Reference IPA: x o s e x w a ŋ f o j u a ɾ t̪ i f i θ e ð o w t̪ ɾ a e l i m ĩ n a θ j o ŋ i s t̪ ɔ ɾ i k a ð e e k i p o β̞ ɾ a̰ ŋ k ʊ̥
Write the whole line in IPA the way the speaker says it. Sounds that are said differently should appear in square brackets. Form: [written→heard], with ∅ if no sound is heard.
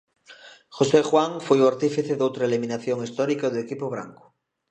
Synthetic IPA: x o s e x w a ŋ f o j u a ɾ t̪ i f i θ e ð o w t̪ ɾ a e l i m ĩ n a θ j o ŋ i s t̪ ɔ ɾ i k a ð e e k i p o β̞ ɾ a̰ ŋ k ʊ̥

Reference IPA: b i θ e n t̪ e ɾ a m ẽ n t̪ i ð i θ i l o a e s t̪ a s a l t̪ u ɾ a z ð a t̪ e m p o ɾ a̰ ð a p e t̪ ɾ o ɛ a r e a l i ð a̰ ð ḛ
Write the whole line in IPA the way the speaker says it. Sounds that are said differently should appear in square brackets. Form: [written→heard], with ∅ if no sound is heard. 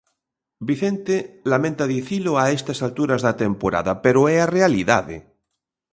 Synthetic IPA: b i θ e n t̪ e [ɾ→l] a m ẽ n t̪ [i→a] ð i θ i l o a e s t̪ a s a l t̪ u ɾ a z ð a t̪ e m p o ɾ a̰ ð a p e [t̪→∅] ɾ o ɛ a r e a l i ð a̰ ð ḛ

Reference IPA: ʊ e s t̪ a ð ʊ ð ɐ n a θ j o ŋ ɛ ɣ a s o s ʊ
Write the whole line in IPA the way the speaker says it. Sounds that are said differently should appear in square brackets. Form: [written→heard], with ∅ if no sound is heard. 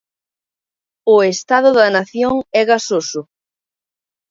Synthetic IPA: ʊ e s t̪ a ð ʊ ð ɐ n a θ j o ŋ ɛ ɣ a s o s ʊ

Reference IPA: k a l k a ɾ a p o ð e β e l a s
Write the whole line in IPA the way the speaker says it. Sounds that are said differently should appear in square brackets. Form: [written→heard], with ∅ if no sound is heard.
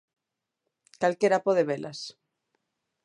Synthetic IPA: k a l k [a→e] ɾ a p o ð e β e l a s

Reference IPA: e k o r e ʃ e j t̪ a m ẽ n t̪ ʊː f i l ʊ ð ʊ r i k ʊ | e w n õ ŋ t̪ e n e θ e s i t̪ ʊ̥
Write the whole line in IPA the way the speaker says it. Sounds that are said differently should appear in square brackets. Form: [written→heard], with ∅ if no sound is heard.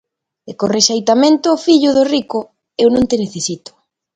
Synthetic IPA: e k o r e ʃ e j t̪ a m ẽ n t̪ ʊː f i [l→ʎ] ʊ ð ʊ r i k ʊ | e w n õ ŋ t̪ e n e θ e s i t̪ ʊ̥

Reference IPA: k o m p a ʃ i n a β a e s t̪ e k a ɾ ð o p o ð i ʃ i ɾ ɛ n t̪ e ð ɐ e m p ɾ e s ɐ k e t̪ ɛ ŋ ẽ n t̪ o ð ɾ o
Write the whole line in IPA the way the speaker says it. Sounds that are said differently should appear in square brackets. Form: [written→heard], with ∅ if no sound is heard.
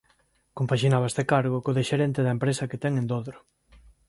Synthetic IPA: k o m p a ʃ i n a β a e s t̪ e k a ɾ [ð→ɣ] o [p→k] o ð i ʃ [i→e] ɾ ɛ n t̪ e ð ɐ e m p ɾ e s ɐ k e t̪ ɛ ŋ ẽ n [t̪→d̪] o ð ɾ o

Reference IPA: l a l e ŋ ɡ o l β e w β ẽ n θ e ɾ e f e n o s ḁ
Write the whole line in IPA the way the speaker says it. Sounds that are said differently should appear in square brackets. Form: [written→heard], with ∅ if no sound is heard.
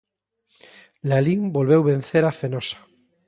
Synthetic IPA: l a l [e→i] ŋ [ɡ→b] o l β e w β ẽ n θ e ɾ [e→a] f e n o s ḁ

